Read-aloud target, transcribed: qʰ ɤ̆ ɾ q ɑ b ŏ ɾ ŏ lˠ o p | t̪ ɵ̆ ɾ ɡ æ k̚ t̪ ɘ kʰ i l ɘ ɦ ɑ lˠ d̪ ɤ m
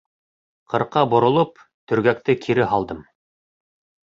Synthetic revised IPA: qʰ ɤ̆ ɾ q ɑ b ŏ ɾ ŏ lˠ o p | t̪ ɵ̆ ɾ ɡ æ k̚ t̪ ɘ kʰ i ɾ ɘ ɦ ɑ lˠ d̪ ɤ m